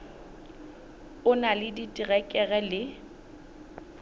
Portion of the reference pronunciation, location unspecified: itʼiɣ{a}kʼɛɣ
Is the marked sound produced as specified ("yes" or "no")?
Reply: no